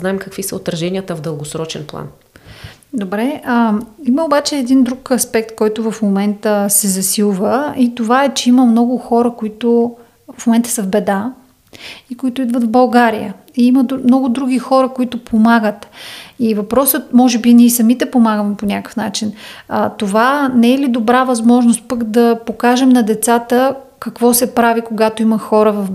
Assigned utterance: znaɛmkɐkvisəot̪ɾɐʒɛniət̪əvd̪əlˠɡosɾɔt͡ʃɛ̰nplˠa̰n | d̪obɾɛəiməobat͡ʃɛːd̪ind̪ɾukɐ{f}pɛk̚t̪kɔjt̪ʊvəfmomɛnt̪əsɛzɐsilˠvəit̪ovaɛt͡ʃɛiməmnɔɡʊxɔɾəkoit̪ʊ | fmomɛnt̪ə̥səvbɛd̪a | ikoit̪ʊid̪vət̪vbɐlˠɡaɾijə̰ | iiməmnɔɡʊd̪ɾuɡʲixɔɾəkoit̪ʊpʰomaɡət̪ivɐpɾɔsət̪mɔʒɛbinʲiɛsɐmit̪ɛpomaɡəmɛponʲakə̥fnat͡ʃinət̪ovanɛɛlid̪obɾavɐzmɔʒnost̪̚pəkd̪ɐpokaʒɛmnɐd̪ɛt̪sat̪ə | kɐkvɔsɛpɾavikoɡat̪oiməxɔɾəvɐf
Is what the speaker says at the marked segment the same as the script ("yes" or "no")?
no